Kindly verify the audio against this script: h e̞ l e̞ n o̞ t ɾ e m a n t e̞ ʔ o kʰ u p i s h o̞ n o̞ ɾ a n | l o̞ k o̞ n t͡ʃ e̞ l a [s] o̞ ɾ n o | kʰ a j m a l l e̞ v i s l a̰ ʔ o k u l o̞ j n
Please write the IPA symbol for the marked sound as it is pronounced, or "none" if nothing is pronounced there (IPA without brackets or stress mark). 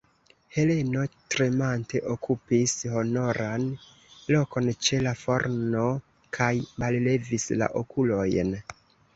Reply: f